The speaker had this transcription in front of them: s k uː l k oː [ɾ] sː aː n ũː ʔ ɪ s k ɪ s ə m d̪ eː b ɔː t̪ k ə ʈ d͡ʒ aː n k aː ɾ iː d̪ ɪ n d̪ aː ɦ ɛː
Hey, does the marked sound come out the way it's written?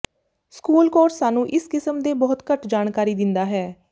yes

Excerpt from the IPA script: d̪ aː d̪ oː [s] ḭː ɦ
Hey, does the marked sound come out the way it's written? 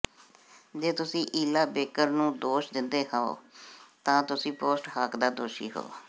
no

